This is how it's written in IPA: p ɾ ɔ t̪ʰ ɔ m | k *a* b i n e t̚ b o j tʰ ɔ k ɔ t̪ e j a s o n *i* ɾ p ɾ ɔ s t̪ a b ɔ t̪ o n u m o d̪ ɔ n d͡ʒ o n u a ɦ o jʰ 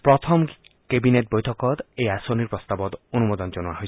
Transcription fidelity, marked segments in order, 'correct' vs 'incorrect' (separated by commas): incorrect, correct